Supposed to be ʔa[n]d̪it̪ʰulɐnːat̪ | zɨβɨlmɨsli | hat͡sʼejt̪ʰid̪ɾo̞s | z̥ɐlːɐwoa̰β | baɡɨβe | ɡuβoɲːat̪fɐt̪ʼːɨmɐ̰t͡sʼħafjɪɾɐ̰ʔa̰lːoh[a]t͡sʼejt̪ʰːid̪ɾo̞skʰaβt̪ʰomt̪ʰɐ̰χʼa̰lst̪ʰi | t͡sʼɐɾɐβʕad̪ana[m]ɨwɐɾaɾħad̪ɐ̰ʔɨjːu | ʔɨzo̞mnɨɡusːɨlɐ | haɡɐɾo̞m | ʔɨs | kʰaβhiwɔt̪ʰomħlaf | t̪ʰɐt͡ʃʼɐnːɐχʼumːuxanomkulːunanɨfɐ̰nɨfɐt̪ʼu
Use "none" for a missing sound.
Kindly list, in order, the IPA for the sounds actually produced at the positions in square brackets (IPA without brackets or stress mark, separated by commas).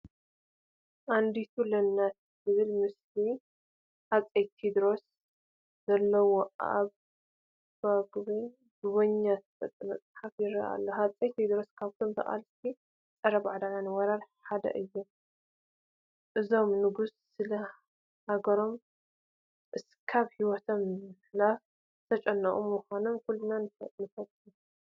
n, a, n